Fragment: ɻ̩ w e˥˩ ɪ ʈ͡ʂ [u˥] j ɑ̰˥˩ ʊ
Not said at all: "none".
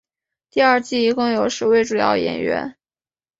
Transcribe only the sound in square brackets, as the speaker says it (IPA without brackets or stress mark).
u˨˩